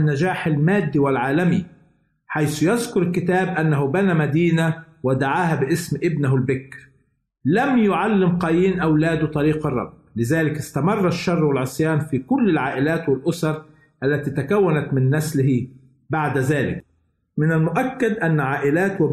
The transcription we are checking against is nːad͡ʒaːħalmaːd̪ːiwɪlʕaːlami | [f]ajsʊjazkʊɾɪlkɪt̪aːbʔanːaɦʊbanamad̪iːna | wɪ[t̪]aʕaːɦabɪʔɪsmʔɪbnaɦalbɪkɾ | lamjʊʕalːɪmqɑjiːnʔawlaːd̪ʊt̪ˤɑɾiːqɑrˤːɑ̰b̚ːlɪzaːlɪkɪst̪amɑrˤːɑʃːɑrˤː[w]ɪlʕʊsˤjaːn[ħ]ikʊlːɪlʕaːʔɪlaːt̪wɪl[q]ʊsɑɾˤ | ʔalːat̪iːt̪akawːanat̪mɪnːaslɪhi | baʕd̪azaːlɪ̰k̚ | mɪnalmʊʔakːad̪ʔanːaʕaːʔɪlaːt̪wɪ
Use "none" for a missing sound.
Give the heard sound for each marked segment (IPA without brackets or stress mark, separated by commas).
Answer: ħ, d̪, w, f, ʔ